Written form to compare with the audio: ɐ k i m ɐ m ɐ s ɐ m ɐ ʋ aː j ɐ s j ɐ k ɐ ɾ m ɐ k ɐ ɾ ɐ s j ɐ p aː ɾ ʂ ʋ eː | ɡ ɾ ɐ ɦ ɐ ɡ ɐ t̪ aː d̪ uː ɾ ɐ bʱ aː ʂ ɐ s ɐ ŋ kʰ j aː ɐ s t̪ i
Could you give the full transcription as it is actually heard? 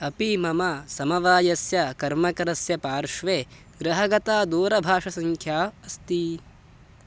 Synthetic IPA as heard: ɐ p i m ɐ m ɐ s ɐ m ɐ ʋ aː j ɐ s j ɐ k ɐ ɾ m ɐ k ɐ ɾ ɐ s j ɐ p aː ɾ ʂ ʋ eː | ɡ ɾ ɐ ɦ ɐ ɡ ɐ t̪ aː d̪ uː ɾ ɐ bʱ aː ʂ ɐ s ɐ ŋ kʰ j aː ɐ s t̪ i